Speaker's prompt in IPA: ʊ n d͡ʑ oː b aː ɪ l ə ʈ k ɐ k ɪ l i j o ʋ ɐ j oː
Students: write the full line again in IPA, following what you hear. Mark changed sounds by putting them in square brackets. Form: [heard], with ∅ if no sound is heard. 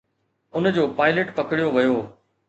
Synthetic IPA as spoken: ʊ n d͡ʑ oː [p] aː ɪ l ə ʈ [p] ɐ k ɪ [ɽ] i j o ʋ ɐ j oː